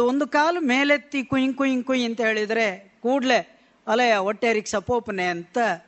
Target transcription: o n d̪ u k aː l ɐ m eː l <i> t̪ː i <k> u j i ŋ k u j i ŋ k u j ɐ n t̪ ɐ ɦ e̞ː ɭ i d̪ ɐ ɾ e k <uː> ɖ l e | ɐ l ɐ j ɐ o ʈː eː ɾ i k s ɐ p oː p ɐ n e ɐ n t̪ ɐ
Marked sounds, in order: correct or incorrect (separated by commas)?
incorrect, correct, correct